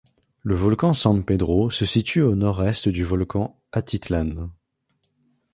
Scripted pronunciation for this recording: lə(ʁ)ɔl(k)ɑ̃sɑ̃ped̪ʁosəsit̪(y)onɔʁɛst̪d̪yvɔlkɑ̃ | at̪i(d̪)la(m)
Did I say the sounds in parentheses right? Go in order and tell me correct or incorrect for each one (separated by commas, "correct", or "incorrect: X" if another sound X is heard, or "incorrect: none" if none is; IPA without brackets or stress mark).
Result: incorrect: v, correct, correct, incorrect: t̪, incorrect: n